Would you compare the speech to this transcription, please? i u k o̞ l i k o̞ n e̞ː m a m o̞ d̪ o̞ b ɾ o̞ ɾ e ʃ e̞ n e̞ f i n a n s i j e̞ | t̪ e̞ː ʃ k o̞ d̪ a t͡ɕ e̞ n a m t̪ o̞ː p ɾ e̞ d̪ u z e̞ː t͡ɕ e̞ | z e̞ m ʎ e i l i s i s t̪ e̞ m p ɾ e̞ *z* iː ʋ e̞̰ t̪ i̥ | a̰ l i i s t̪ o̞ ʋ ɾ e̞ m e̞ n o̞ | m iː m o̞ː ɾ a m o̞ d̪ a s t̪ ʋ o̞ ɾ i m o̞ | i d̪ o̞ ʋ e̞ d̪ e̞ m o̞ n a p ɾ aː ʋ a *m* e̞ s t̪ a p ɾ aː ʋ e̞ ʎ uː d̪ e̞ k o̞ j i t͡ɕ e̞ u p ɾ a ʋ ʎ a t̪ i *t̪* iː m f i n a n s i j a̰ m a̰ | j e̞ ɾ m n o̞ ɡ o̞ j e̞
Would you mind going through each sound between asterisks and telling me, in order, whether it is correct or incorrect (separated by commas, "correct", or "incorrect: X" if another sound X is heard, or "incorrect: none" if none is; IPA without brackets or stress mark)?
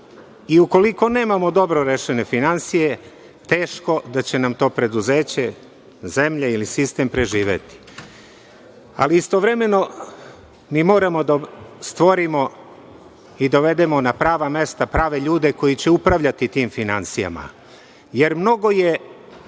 incorrect: ʒ, correct, correct